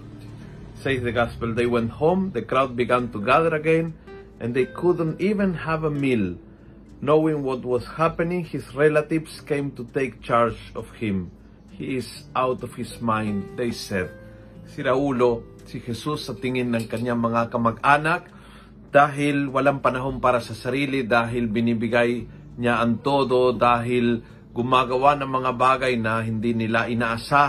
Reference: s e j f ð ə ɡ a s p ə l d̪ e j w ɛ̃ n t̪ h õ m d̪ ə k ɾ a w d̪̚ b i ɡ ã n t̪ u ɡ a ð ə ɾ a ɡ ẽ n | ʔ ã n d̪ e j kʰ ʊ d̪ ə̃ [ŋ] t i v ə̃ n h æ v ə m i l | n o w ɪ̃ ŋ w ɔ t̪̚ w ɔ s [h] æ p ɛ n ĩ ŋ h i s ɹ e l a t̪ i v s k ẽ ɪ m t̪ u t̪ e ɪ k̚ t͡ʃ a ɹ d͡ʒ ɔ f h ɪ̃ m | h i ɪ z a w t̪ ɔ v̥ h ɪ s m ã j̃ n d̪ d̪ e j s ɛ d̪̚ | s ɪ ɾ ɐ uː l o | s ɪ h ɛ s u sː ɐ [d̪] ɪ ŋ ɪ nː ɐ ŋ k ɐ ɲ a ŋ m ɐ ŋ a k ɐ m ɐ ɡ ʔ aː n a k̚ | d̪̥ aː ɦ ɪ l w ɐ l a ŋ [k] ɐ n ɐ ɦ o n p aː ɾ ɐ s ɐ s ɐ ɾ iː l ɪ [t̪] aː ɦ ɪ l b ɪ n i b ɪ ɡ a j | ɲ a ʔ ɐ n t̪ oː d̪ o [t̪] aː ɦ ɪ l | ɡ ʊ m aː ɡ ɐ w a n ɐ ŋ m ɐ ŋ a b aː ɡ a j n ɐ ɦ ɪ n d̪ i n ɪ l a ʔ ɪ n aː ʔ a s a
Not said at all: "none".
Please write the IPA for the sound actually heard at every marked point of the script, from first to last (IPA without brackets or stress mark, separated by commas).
n, h, t̪, p, d̪, d̪